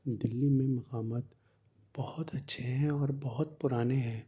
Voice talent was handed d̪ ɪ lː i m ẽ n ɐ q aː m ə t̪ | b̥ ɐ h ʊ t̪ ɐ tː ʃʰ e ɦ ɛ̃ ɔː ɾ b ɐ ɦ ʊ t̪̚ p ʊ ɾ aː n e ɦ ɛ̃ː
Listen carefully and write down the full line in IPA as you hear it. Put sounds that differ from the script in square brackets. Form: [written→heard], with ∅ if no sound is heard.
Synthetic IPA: d̪ ɪ lː i m ẽ [n→m] ɐ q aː m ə t̪ | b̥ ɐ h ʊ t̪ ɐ tː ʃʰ e ɦ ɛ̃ ɔː ɾ b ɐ ɦ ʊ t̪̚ p ʊ ɾ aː n e ɦ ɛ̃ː